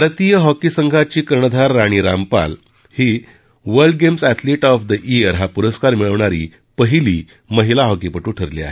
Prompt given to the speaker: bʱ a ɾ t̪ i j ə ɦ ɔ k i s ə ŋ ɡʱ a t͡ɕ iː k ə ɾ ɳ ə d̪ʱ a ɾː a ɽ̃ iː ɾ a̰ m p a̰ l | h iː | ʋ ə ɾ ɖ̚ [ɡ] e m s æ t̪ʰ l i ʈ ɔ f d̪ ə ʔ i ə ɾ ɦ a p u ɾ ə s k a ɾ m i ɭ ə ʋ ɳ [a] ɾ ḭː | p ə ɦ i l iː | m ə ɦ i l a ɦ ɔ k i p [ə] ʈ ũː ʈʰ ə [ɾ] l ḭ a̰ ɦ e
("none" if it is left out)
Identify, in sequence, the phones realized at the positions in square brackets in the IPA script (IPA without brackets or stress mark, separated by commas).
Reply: ɡ, a, ə, ɾ